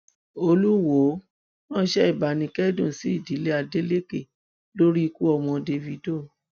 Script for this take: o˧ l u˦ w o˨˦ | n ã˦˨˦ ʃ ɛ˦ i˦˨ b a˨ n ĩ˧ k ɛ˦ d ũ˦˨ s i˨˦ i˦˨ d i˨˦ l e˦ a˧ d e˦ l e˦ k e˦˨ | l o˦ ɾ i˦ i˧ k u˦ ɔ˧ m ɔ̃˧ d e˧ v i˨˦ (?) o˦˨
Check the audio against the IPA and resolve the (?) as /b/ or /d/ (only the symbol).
d